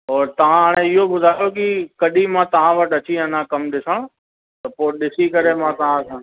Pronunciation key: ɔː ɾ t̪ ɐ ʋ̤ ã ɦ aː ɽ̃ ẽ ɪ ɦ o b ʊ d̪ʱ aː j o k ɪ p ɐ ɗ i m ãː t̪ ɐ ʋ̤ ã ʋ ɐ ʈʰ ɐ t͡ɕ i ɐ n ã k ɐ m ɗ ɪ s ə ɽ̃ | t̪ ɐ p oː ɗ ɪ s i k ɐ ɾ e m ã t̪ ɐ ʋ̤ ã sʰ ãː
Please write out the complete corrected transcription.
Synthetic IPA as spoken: ɔː ɾ t̪ ɐ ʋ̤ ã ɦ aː ɽ̃ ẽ ɪ ɦ o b ʊ d̪ʱ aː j o k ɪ k ɐ ɗ i m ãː t̪ ɐ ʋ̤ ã ʋ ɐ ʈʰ ɐ t͡ɕ i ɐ n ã k ɐ m ɗ ɪ s ə ɽ̃ | t̪ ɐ p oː ɗ ɪ s i k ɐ ɾ e m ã t̪ ɐ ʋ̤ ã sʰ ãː